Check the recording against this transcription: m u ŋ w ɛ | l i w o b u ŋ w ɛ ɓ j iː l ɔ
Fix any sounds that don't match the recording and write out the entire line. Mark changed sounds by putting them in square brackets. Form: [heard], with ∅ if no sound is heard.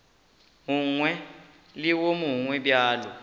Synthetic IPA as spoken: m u ŋ w ɛ | l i w o [m] u ŋ w ɛ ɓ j [aː] l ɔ